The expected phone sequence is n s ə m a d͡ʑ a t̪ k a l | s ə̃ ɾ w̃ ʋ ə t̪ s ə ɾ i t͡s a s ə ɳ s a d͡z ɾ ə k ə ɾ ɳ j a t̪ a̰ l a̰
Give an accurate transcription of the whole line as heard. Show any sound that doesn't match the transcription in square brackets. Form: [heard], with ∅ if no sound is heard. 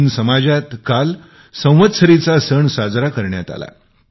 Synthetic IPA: n s ə m a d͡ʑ a t̪ k a l | s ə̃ [∅] w̃ ʋ ə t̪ s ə ɾ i t͡s a s ə ɳ s a d͡z ɾ [a] k ə ɾ ɳ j a t̪ a̰ l a̰